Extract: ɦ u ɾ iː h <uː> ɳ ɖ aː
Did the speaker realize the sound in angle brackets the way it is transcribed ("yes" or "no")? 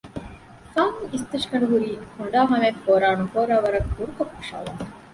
no